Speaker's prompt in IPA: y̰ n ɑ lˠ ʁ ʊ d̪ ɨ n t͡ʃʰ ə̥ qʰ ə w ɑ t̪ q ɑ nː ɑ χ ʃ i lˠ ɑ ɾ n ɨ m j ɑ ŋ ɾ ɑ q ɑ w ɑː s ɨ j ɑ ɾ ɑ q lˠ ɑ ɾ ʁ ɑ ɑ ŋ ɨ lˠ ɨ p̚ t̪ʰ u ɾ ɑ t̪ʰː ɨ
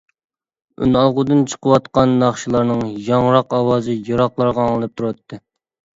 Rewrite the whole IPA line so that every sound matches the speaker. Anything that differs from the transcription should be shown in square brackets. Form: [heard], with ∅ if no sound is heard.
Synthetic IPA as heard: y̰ n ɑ lˠ ʁ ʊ d̪ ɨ n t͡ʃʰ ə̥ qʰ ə w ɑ t̪ q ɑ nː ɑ χ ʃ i lˠ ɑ ɾ n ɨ [ŋ] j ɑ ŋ ɾ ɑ q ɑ w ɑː [z] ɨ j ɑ ɾ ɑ q lˠ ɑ ɾ ʁ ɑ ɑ ŋ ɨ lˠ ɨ p̚ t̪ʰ u ɾ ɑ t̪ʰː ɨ